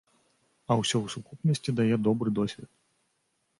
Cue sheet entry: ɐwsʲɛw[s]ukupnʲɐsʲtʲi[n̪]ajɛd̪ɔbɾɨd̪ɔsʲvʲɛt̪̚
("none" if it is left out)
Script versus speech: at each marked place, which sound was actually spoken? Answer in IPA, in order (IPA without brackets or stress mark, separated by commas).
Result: s, d̪